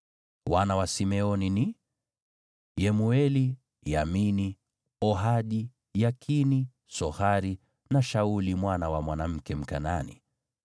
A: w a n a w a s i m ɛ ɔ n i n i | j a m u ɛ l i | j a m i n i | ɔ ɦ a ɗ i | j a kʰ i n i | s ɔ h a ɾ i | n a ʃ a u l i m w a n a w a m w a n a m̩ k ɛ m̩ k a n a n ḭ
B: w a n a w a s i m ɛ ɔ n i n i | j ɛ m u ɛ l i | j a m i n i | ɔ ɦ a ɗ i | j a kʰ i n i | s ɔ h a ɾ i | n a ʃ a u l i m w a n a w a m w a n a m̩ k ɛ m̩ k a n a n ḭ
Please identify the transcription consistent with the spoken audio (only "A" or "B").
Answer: B